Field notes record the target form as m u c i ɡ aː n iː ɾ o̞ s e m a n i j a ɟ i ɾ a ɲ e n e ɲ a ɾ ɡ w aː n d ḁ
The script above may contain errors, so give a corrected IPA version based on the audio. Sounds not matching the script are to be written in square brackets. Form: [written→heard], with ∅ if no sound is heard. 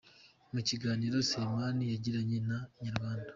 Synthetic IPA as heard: m u c i ɡ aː n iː ɾ o̞ s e m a n i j a ɟ i ɾ a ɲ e n [e→a] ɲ a ɾ ɡ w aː n d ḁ